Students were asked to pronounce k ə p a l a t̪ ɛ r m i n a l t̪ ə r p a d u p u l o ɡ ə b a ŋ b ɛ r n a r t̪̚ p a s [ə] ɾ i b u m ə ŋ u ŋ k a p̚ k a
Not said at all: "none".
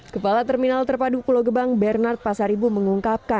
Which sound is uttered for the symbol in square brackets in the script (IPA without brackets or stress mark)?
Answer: a